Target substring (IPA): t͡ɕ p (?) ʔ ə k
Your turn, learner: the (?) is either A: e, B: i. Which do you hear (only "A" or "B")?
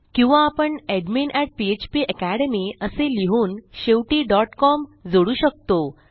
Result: B